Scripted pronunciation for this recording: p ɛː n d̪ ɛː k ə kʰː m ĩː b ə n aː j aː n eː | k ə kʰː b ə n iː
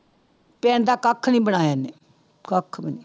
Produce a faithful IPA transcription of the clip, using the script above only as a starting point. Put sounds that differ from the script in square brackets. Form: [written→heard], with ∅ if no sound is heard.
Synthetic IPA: p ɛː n d̪ [ɛː→aː] k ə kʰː [m→n] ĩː b ə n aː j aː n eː | k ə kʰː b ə n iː